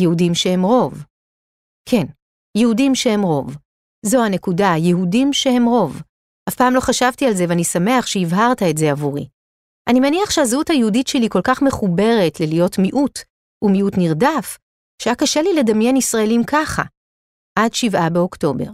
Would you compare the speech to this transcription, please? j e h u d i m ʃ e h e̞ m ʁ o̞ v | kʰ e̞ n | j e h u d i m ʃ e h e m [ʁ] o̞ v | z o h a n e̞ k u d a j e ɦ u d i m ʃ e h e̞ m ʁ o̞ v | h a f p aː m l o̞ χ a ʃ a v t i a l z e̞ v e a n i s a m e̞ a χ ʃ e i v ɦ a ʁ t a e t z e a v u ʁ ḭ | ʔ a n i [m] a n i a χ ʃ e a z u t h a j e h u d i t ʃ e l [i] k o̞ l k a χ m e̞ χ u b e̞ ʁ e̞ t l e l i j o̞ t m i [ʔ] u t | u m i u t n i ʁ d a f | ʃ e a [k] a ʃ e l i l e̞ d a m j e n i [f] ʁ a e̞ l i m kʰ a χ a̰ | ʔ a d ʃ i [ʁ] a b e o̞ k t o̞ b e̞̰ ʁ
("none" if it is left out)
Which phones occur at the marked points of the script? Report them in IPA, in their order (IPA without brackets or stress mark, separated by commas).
ʁ, m, i, ʔ, k, s, v